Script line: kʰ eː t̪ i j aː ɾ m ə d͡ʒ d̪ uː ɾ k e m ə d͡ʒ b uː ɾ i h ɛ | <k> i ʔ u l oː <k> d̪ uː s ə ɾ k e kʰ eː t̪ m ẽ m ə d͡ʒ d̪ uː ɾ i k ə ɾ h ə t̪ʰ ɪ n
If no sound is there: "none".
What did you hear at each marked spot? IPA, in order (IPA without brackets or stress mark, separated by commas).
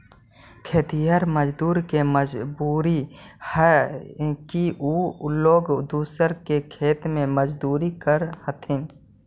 k, ɡ